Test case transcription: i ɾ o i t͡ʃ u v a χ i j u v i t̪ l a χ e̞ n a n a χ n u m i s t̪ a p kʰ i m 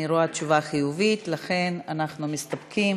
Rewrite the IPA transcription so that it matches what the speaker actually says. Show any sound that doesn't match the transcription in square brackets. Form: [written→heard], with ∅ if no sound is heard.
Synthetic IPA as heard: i ɾ o [i→a] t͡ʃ u v a χ i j u v i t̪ l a χ e̞ n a n a χ n u m i s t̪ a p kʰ i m